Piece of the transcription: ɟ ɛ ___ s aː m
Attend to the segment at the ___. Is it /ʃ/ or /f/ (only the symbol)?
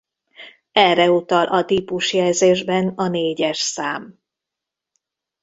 ʃ